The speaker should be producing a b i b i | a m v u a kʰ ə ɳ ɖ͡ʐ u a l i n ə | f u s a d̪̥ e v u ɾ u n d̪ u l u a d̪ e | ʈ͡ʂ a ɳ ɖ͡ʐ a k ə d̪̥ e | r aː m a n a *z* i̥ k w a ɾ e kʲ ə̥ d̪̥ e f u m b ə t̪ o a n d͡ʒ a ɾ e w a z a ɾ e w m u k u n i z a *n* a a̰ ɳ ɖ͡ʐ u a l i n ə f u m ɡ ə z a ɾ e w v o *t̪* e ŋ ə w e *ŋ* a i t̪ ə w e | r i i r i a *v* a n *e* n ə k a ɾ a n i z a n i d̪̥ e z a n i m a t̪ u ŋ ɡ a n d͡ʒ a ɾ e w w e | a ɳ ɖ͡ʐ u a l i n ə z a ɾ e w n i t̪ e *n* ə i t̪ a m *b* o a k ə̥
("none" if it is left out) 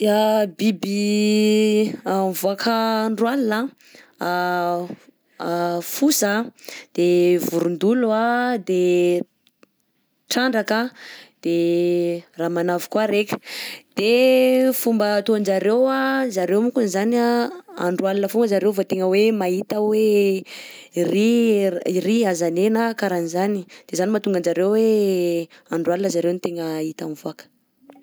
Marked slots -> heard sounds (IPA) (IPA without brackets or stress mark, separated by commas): v, n, t̪, m, z, e, ŋ, v